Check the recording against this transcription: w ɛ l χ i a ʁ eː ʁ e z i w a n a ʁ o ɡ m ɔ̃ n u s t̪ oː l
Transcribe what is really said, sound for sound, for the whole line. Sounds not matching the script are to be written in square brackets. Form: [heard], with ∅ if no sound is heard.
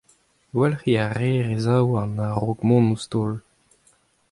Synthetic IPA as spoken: w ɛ l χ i a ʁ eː ʁ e z [a] w a n a ʁ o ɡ m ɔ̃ n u s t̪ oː l